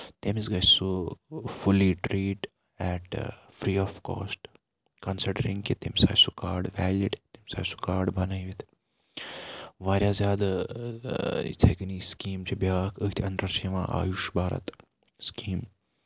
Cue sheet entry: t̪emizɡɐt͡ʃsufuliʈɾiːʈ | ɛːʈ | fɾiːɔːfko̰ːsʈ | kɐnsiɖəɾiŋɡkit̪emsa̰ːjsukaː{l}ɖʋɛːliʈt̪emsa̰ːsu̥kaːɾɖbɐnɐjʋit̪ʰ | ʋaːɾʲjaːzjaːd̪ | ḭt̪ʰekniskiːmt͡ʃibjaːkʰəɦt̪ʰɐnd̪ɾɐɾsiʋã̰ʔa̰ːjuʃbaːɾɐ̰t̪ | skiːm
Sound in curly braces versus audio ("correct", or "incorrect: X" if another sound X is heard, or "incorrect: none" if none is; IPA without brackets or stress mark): incorrect: ɾ